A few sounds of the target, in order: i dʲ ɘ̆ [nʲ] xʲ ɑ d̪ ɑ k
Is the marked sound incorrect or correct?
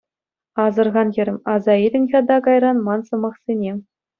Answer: correct